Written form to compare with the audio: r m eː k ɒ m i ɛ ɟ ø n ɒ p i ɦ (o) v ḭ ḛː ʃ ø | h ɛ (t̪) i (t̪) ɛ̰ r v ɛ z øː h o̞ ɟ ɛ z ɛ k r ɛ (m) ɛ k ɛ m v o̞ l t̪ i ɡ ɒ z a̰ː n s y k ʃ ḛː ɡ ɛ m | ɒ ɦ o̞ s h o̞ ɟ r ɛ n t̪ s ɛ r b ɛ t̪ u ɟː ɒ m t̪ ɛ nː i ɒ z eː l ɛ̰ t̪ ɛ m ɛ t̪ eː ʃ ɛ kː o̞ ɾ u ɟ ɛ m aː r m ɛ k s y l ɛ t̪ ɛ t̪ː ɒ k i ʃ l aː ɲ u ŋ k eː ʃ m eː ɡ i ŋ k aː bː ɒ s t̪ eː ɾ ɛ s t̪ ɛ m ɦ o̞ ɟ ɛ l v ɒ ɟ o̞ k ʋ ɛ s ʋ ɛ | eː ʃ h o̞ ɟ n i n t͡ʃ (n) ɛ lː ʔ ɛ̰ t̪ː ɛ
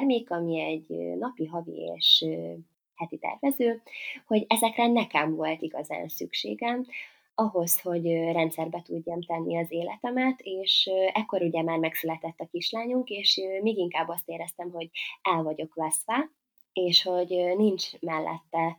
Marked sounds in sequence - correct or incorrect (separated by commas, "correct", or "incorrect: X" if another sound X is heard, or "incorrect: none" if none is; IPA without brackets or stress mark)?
incorrect: ɒ, correct, correct, incorrect: n, incorrect: m